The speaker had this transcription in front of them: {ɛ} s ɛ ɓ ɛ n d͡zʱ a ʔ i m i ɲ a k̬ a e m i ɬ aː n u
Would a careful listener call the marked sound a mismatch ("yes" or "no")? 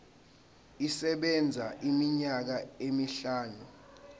yes